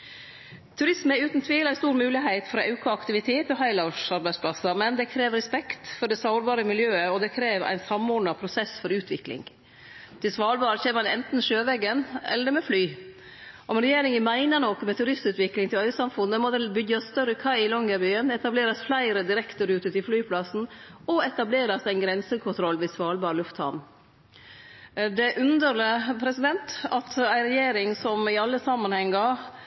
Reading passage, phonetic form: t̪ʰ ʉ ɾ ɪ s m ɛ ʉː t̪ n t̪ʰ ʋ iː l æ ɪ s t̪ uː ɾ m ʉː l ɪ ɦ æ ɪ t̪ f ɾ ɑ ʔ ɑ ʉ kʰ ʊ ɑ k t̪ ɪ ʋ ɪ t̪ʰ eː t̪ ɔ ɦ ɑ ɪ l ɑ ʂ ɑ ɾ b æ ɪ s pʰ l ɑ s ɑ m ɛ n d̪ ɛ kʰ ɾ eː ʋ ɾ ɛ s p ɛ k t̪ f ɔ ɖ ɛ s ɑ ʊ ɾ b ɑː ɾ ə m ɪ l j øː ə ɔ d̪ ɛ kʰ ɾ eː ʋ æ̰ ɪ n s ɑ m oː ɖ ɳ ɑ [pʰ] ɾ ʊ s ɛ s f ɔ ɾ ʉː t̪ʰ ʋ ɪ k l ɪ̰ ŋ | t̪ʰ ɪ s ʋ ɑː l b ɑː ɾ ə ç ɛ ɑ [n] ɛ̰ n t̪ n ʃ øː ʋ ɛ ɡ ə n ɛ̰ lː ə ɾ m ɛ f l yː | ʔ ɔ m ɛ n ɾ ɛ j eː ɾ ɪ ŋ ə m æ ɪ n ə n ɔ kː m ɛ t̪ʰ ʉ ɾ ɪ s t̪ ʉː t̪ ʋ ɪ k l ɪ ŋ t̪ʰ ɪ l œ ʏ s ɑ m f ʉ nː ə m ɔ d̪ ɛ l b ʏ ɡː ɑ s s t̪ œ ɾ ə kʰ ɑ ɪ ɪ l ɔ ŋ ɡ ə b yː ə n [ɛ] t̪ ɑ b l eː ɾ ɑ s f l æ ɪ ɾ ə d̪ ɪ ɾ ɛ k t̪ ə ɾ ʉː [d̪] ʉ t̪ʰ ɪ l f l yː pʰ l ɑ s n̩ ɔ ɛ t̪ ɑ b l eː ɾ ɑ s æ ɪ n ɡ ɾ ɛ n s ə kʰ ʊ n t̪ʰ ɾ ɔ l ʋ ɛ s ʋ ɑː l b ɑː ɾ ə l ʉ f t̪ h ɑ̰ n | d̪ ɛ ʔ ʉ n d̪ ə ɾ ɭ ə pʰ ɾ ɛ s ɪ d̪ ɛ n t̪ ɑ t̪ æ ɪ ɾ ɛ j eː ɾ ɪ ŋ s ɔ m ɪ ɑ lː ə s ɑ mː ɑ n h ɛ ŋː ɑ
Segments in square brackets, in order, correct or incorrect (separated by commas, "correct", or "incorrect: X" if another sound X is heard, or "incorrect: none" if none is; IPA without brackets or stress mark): correct, correct, correct, incorrect: t̪